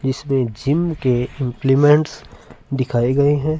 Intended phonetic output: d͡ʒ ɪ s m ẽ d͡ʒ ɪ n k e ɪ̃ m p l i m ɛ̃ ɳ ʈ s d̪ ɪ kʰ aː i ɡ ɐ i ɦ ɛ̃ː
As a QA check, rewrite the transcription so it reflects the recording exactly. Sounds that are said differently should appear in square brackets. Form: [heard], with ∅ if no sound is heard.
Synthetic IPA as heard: d͡ʒ ɪ s m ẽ d͡ʒ ɪ [m] k e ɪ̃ m p l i m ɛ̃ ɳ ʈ s d̪ ɪ kʰ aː i ɡ ɐ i ɦ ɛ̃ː